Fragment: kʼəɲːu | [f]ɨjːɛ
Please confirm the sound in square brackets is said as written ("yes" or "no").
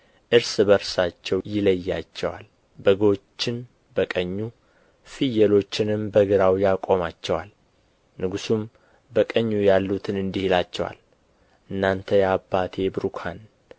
yes